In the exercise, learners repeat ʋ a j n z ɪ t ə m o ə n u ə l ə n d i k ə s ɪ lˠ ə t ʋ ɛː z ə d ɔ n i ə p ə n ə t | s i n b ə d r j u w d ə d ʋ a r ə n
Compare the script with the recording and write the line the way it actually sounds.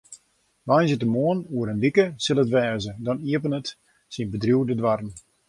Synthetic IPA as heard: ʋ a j n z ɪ t ə m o ə n u ə ɾ ə n d i k ə s ɪ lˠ ə t ʋ ɛː z ə d ɔ n i ə p ə n ə t | s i n b ə d r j u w d ə d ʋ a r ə n

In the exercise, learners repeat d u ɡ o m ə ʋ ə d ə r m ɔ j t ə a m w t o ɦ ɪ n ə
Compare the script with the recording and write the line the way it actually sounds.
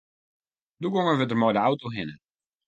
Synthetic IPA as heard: d u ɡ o ŋ ə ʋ ə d ə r m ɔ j d ə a w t o ɦ ɪ n ə

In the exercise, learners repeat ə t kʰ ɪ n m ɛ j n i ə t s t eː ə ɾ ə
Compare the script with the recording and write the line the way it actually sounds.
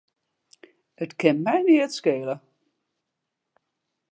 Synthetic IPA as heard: ə t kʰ ɪ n m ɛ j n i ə t s k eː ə l ə

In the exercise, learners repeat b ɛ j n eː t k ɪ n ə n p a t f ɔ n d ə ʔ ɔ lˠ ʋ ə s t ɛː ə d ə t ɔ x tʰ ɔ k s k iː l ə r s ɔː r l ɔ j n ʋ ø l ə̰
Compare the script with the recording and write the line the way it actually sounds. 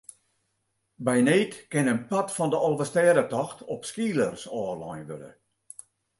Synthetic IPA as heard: b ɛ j n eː t k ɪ n ə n p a t f ɔ n d ə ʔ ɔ lˠ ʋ ə s t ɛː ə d ə t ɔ x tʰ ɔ p s k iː l ə r s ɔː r l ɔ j n ʋ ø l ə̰

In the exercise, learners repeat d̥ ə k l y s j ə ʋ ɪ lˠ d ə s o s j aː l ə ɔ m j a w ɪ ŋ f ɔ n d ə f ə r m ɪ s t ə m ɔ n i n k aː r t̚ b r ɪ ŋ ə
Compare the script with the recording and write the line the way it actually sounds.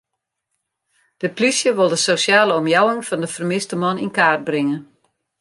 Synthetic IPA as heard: d̥ ə p l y s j ə ʋ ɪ lˠ d ə s o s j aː l ə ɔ m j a w ɪ ŋ f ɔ n d ə f ə r m ɪ s t ə m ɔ n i n k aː r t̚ b r ɪ ŋ ə

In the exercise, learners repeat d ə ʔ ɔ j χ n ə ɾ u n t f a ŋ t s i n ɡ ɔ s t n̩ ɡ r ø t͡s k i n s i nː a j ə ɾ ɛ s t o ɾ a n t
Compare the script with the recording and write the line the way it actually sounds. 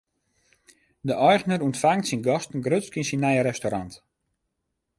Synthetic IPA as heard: d ə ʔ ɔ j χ n ə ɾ u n t f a ŋ t s i n ɡ ɔ s t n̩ ɡ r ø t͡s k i n s i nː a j ə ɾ ɛ s t o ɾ a n t

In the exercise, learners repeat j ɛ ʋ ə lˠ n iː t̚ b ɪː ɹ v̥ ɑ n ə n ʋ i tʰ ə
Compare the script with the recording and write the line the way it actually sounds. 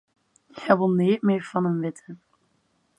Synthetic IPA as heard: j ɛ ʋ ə lˠ n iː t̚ m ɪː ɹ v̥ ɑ n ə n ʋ ɪ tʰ ə

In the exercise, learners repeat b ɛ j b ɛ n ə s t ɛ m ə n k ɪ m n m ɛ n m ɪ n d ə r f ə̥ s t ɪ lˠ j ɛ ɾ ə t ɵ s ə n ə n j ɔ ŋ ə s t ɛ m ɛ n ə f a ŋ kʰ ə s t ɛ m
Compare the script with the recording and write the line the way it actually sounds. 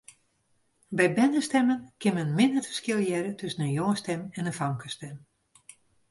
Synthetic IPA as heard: b ɛ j b ɛ n ə s t ɛ m ə n k ɪ n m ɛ n m ɪ n d ə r f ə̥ s k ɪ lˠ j ɛ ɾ ə t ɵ s ə n ə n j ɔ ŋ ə s t ɛ m ɛ n ə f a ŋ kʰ ə s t ɛ m

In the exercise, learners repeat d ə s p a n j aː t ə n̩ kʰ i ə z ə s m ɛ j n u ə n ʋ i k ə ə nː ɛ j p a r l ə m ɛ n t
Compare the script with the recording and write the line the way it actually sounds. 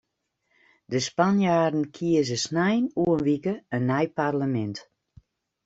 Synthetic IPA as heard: d ə s p a n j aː d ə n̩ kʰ i ə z ə s n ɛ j n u ə n ʋ i k ə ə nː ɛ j p a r l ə m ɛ n t

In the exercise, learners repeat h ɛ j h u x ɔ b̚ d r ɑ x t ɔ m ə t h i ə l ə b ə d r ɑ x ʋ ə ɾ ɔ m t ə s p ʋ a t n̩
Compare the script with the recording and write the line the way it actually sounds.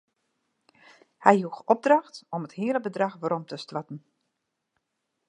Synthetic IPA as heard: h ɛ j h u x ɔ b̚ d r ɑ x t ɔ m ə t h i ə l ə b ə d r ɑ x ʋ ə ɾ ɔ m t ə s t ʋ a t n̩

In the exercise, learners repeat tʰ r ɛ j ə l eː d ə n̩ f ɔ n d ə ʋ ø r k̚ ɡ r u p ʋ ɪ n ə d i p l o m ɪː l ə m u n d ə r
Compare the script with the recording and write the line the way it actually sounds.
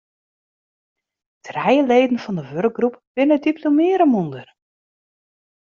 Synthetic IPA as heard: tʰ r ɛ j ə l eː d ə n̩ f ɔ n d ə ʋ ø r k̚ ɡ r u p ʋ ɪ n ə d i p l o m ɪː ɾ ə m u n d ə r

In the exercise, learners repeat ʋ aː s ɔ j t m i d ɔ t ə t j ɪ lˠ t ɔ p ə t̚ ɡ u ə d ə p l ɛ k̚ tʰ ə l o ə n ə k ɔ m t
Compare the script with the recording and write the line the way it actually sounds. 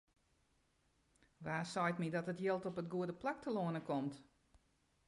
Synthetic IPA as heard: ʋ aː s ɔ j t m i d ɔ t ə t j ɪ lˠ t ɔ p ə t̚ ɡ u ə d ə p l a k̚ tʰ ə l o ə n ə k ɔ m t

